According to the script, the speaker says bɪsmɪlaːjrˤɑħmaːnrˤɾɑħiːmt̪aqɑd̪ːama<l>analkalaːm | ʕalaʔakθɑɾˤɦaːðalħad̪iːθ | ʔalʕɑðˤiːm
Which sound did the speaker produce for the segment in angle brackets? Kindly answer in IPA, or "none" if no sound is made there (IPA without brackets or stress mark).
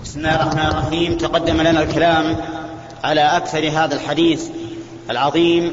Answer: l